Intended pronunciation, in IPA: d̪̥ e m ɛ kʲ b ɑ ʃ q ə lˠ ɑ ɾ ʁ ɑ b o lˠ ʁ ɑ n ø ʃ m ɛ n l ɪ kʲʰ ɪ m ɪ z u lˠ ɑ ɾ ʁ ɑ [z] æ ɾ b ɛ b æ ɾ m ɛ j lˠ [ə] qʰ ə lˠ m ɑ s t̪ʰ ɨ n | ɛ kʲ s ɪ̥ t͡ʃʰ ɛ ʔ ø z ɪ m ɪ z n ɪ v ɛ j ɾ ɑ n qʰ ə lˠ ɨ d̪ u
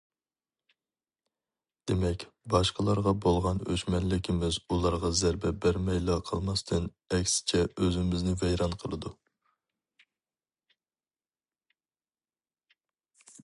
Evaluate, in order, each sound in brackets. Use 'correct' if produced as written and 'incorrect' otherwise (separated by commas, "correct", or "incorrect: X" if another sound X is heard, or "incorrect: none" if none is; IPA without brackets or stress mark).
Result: correct, incorrect: ɑ